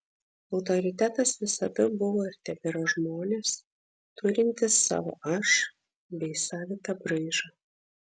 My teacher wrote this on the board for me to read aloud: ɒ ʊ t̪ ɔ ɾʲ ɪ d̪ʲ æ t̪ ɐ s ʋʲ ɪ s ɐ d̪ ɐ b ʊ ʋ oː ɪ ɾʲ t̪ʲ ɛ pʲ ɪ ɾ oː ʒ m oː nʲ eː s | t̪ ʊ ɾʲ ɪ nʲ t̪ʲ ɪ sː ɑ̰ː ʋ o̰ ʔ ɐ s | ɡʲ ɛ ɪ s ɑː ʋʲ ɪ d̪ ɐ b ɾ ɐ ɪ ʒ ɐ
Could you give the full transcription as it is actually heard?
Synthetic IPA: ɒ ʊ t̪ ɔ ɾʲ ɪ t̪ʲ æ t̪ ɐ s ʋʲ ɪ s ɐ d̪ ɐ b ʊ ʋ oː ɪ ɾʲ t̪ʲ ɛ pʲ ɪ ɾ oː ʒ m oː nʲ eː s | t̪ ʊ ɾʲ ɪ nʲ t̪ʲ ɪ sː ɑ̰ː ʋ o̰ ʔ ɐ ʃ | bʲ ɛ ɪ s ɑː ʋʲ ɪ t̪ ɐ b ɾ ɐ ɪ ʒ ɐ

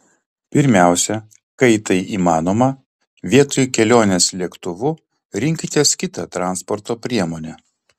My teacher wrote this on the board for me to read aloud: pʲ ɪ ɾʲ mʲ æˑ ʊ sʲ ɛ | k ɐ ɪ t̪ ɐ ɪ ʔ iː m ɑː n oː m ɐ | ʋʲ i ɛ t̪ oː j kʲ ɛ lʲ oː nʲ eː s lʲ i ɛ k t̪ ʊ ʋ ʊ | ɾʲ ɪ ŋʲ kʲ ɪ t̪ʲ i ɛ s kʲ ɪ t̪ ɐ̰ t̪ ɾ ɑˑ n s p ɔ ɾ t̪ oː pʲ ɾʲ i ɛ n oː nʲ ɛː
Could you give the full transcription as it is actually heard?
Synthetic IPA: pʲ ɪ ɾʲ mʲ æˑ ʊ sʲ ɛ | k ɐ ɪ t̪ ɐ ɪ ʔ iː m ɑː n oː m ɐ | ʋʲ i ɛ t̪ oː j kʲ ɛ lʲ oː nʲ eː s lʲ i ɛ k t̪ ʊ ʋ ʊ | ɾʲ ɪ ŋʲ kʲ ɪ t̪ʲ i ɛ s kʲ ɪ t̪ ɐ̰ t̪ ɾ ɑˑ n s p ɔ ɾ t̪ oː pʲ ɾʲ i ɛ m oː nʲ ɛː

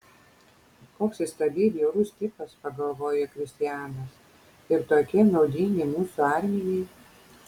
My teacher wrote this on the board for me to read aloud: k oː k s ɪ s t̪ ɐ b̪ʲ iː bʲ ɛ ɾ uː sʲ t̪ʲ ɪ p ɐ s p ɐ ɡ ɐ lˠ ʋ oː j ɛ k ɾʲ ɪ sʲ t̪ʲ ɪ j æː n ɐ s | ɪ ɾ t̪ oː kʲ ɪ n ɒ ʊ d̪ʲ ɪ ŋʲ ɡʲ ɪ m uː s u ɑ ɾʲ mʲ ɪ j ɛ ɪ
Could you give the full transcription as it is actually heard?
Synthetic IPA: k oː k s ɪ s t̪ ɐ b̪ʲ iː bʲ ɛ ɾ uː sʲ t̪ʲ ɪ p ɐ s p ɐ ɡ ɐ lˠ ʋ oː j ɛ k ɾʲ ɪ sʲ t̪ʲ ɪ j æː n ɐ s | ɪ ɾ t̪ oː kʲ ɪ n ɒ ʊ d̪ʲ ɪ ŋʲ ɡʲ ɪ m uː s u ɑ ɾʲ mʲ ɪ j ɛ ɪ

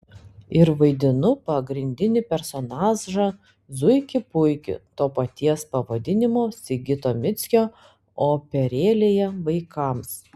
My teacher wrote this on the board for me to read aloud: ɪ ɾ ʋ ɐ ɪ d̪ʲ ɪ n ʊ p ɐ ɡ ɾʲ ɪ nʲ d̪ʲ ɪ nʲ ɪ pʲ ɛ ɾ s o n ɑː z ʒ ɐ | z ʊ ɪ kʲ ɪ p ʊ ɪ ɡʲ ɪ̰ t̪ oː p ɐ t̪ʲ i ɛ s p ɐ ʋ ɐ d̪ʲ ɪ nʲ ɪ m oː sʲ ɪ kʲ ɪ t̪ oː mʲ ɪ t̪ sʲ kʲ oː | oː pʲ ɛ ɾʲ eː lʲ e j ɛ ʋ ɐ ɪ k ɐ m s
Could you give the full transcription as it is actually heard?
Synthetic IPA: ɪ ɾ ʋ ɐ ɪ d̪ʲ ɪ n ʊ p ɐ ɡ ɾʲ ɪ nʲ d̪ʲ ɪ nʲ ɪ pʲ ɛ ɾ s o n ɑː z ʒ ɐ | z ʊ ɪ kʲ ɪ p ʊ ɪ kʲ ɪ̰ t̪ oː p ɐ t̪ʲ i ɛ s p ɐ ʋ ɐ d̪ʲ ɪ nʲ ɪ m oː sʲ ɪ ɡʲ ɪ t̪ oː mʲ ɪ t̪ sʲ kʲ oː | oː pʲ ɛ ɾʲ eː lʲ e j ɛ ʋ ɐ ɪ k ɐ m s

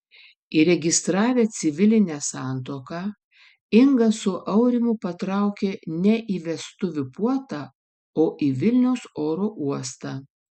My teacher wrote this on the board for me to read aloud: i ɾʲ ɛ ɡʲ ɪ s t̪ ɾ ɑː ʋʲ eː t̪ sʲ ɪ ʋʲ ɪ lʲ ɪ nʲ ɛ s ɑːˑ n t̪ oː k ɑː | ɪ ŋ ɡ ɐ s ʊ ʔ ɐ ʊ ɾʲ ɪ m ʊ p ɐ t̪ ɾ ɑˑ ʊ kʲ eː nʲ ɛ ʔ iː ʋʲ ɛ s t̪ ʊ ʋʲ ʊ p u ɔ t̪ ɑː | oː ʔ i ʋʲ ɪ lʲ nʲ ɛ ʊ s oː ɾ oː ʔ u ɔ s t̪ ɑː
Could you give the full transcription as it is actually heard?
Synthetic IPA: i ɾʲ ɛ ɡʲ ɪ s t̪ ɾ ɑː ʋʲ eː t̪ sʲ ɪ ʋʲ ɪ lʲ ɪ nʲ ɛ s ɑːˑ n t̪ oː k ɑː | ɪ ŋ ɡ ɐ s ʊ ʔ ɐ ʊ ɾʲ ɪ m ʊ p ɐ t̪ ɾ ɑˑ ʊ kʲ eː nʲ ɛ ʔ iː ʋʲ ɛ s t̪ ʊ ʋʲ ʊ p u ɔ t̪ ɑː | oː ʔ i ʋʲ ɪ lʲ nʲ ɛ ʊ s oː ɾ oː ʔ u ɔ s t̪ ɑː

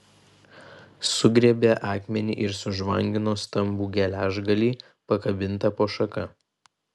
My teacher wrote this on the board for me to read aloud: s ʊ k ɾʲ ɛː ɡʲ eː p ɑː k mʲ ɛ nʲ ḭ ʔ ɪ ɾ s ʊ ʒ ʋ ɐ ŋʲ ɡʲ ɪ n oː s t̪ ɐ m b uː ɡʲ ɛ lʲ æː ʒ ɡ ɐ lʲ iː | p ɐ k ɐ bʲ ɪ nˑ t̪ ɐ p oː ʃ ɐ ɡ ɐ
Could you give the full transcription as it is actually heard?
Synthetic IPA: s ʊ ɡ ɾʲ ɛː bʲ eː ʔ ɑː k mʲ ɛ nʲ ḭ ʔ ɪ ɾ s ʊ ʒ ʋ ɐ ŋʲ ɡʲ ɪ n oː s t̪ ɐ m b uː ɡʲ ɛ lʲ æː ʒ ɡ ɐ lʲ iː | p ɐ k ɐ bʲ ɪ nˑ t̪ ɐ p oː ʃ ɐ k ɐ

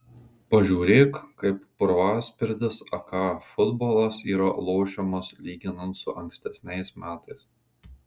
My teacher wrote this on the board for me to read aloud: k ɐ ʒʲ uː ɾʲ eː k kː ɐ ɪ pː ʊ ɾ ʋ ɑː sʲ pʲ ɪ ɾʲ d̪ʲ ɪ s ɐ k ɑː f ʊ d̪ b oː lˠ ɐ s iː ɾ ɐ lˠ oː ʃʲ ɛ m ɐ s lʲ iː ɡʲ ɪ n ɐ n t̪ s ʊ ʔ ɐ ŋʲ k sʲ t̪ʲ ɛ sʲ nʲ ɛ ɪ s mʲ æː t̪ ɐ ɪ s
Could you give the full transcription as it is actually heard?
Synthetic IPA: p ɐ ʒʲ uː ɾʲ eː k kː ɐ ɪ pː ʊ ɾ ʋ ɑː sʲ pʲ ɪ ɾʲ d̪ʲ ɪ s ɐ k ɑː f ʊ d̪ b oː lˠ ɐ s iː ɾ ɐ lˠ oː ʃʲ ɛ m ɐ s lʲ iː ɡʲ ɪ n ɐ n t̪ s ʊ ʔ ɐ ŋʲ k sʲ t̪ʲ ɛ sʲ nʲ ɛ ɪ s mʲ æː t̪ ɐ ɪ s

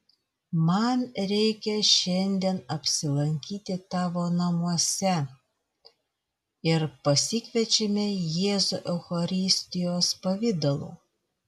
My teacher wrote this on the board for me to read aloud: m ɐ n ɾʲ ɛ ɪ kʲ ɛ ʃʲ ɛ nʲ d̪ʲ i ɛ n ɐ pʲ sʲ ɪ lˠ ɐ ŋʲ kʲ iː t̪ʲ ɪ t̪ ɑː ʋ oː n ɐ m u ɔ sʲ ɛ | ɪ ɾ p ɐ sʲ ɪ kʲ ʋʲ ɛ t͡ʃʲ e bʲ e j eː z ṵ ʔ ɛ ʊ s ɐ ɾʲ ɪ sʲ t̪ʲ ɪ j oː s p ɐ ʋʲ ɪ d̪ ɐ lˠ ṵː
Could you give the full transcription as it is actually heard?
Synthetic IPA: m ɐ n ɾʲ ɛ ɪ kʲ ɛ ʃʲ ɛ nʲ d̪ʲ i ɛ n ɐ pʲ sʲ ɪ lˠ ɐ ŋʲ kʲ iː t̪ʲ ɪ t̪ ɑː ʋ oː n ɐ m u ɔ sʲ ɛ | ɪ ɾ p ɐ sʲ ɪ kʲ ʋʲ ɛ t͡ʃʲ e mʲ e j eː z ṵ ʔ ɛ ʊ x ɐ ɾʲ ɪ sʲ t̪ʲ ɪ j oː s p ɐ ʋʲ ɪ d̪ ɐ lˠ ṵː

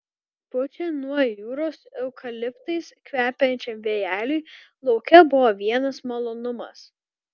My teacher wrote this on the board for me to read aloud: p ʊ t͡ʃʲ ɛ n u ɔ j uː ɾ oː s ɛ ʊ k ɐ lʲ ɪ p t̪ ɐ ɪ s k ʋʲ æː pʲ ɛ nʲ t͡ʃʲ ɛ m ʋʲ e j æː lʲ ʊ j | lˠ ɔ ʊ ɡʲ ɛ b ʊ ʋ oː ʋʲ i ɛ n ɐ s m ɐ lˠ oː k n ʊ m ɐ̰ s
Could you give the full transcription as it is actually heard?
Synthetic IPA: p ʊ t͡ʃʲ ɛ n u ɔ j uː ɾ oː s ɛ ʊ k ɐ lʲ ɪ p t̪ ɐ ɪ s k ʋʲ æː pʲ ɛ nʲ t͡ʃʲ ɛ m ʋʲ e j æː lʲ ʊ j | lˠ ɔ ʊ kʲ ɛ b ʊ ʋ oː ʋʲ i ɛ n ɐ s m ɐ lˠ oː n ʊ m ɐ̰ s

